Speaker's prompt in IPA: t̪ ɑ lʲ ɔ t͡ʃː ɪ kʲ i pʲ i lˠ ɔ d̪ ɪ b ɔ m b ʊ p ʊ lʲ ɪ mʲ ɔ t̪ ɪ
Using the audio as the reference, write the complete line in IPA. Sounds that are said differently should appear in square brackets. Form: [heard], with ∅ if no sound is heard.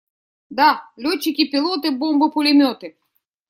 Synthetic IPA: [d̪] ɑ lʲ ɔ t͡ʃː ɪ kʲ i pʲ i lˠ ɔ [t̪] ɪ b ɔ m b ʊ p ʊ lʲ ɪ mʲ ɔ t̪ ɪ

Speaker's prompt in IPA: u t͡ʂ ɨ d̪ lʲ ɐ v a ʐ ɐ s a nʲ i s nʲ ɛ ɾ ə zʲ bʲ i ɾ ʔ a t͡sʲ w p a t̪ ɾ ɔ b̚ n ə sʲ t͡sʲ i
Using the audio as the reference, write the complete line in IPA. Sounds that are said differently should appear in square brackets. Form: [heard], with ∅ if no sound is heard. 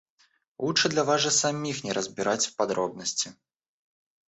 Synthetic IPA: u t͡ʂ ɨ d̪ lʲ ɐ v a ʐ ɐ s a [mʲ] i [x] nʲ ɛ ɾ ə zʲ bʲ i ɾ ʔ a t͡sʲ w p a [d̪] ɾ ɔ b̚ n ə sʲ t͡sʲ i

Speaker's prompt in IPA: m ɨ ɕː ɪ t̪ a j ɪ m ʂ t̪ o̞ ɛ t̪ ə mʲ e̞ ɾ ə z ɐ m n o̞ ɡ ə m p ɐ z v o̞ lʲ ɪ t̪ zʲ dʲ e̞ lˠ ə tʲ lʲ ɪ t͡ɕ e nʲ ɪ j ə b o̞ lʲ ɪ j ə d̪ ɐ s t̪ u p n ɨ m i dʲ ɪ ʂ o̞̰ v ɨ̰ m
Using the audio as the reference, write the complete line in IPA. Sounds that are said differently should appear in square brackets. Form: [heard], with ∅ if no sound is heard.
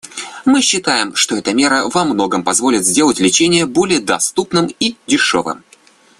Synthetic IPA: m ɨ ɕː ɪ t̪ a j ɪ m ʂ t̪ o̞ ɛ t̪ ə mʲ e̞ ɾ ə [v] ɐ m n o̞ ɡ ə m p ɐ z v o̞ lʲ ɪ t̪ zʲ dʲ e̞ lˠ ə tʲ lʲ ɪ t͡ɕ e nʲ ɪ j ə b o̞ lʲ ɪ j ə d̪ ɐ s t̪ u p n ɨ m i dʲ ɪ ʂ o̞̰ v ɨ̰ m

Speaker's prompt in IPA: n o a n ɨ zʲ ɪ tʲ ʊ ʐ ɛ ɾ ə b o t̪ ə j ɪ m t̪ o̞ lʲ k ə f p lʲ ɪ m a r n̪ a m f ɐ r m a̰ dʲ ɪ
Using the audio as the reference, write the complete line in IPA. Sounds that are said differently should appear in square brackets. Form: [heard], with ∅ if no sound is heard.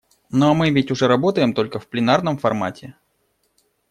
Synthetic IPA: n o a [m] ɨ [vʲ] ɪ tʲ ʊ ʐ ɛ ɾ [ɐ] b o t̪ ə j ɪ m t̪ o̞ lʲ k ə f p lʲ ɪ [n] a r n̪ [ə] m f ɐ r m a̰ [tʲ] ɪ

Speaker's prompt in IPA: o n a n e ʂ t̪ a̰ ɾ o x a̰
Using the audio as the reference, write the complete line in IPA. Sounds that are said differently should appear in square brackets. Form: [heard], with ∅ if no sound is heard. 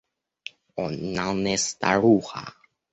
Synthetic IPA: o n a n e [s] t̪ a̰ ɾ [u] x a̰

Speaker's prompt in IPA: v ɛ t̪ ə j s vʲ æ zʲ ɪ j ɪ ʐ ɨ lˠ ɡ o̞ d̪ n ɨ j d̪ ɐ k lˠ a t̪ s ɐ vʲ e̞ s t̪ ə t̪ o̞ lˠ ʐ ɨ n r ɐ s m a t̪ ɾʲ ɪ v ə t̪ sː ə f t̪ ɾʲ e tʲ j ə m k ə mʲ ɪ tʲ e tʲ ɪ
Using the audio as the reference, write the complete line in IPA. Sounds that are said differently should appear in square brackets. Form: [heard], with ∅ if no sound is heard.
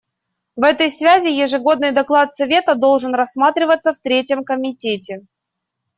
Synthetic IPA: v ɛ t̪ ə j s vʲ æ zʲ ɪ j ɪ ʐ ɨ [∅] ɡ o̞ d̪ n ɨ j d̪ ɐ k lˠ a t̪ s ɐ vʲ e̞ [∅] t̪ ə [d̪] o̞ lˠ ʐ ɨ n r ɐ s m a t̪ ɾʲ ɪ v ə t̪ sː ə f t̪ ɾʲ e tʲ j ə m k ə mʲ ɪ tʲ e tʲ ɪ

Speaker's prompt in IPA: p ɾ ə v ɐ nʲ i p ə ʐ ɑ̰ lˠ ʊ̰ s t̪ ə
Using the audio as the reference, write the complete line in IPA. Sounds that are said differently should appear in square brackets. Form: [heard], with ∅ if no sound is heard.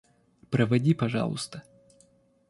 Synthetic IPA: p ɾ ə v ɐ [dʲ] i p [ɐ] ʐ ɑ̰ lˠ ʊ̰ s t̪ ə

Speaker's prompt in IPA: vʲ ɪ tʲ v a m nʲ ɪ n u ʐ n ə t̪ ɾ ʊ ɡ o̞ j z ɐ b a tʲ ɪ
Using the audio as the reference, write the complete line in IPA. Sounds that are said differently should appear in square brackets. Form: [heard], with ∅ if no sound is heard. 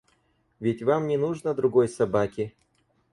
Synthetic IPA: vʲ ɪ tʲ v a m nʲ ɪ n u ʐ n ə [d̪] ɾ ʊ ɡ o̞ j [s] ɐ b a [kʲ] ɪ

